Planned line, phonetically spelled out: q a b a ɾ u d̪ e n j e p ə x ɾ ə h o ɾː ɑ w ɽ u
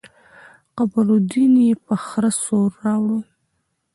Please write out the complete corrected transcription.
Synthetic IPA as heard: q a b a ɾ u d̪ i n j e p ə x ɾ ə s o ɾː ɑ w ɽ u